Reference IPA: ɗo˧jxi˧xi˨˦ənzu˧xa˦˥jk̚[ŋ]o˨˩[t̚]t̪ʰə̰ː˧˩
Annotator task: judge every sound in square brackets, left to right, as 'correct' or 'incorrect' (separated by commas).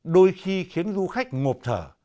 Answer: correct, incorrect